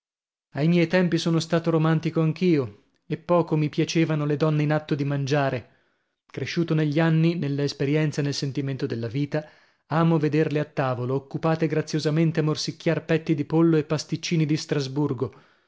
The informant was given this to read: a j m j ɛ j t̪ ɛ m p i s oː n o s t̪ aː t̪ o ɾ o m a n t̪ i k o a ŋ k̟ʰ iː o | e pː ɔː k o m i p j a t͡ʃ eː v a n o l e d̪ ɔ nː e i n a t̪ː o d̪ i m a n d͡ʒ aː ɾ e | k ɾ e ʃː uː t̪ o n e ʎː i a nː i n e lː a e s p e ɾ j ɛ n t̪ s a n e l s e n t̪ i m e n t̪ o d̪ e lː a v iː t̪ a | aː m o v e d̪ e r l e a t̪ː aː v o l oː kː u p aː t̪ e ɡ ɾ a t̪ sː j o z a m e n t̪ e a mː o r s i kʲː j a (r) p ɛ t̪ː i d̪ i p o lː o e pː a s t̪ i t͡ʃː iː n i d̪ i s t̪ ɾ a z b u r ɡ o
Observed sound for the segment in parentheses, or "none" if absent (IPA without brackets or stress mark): r